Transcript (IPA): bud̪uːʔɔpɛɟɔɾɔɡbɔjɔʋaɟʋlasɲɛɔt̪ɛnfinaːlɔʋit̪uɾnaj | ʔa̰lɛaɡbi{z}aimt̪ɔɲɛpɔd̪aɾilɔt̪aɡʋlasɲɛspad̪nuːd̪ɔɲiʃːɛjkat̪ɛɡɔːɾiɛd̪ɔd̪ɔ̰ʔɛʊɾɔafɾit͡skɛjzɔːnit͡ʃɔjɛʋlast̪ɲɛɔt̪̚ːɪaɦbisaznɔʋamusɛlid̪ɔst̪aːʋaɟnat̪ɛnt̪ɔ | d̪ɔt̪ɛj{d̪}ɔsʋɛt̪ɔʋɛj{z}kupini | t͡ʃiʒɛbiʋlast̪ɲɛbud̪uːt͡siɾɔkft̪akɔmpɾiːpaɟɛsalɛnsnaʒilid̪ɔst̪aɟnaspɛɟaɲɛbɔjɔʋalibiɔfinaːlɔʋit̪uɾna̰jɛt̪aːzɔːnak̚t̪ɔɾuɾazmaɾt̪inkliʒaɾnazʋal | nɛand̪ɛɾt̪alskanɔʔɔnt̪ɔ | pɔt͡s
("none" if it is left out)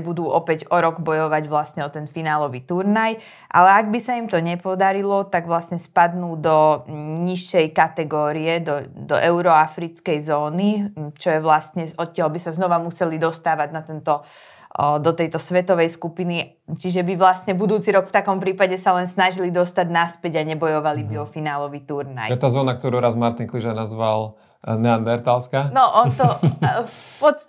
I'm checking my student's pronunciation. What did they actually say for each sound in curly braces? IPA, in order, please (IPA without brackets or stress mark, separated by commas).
s, t̪, s